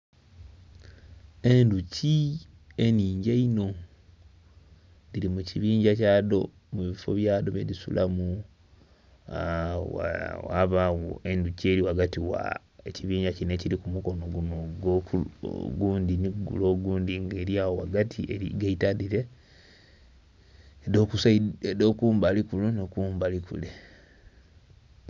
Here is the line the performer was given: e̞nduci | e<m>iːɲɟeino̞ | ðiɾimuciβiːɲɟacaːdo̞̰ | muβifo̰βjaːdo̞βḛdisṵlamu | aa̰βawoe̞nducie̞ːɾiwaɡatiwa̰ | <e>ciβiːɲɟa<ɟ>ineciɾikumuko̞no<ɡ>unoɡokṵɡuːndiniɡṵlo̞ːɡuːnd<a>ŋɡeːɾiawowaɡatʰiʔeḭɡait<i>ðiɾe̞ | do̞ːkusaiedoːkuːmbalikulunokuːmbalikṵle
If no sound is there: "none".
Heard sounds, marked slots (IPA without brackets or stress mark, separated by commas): n, e, c, ɡ, i, a